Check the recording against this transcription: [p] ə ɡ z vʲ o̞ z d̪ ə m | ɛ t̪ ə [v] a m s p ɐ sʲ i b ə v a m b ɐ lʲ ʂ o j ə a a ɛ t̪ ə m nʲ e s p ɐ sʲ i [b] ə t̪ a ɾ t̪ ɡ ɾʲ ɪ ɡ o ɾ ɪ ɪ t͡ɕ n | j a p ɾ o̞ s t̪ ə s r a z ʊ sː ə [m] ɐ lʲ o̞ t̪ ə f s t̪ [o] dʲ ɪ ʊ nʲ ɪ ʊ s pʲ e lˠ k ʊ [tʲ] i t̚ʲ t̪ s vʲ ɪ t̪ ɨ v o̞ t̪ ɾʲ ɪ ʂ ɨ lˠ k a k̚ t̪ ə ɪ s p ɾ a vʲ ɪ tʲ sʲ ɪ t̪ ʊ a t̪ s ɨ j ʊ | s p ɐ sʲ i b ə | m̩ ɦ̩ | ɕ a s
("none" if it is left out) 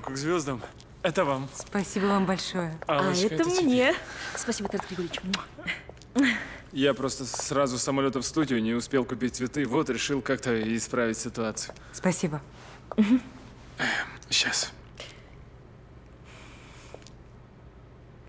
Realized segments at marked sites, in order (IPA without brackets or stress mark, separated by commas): k, v, b, m, u, pʲ